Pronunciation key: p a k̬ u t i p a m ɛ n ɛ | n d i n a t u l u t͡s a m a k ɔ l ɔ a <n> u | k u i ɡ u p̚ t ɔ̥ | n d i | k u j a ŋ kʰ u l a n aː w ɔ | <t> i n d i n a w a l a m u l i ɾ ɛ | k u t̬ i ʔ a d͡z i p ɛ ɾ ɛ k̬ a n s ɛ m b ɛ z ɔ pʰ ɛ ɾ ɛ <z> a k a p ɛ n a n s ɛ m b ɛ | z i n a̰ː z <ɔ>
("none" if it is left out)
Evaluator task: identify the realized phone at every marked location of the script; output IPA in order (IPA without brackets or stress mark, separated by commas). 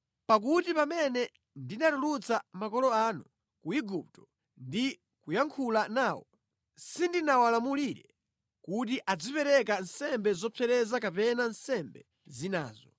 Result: n, s, z, ɔ